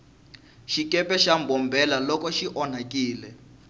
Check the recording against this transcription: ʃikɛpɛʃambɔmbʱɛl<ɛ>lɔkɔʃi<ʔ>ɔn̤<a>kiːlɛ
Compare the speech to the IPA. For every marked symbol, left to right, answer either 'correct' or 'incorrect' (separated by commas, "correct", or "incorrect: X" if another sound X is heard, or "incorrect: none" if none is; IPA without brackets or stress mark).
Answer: incorrect: a, correct, correct